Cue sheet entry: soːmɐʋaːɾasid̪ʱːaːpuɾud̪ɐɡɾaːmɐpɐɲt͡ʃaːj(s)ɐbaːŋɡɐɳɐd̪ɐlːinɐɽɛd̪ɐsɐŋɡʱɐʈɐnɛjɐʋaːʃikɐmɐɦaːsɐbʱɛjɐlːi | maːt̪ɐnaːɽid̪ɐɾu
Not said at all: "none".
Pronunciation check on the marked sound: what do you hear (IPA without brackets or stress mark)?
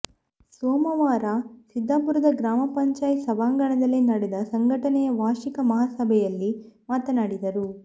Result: s